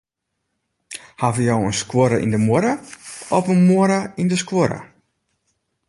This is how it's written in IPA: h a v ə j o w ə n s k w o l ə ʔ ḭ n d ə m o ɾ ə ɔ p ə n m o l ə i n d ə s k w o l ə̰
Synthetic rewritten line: h a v ə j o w ə n s k w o ɾ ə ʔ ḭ n d ə m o ɾ ə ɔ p ə n m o ɾ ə i n d ə s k w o ɾ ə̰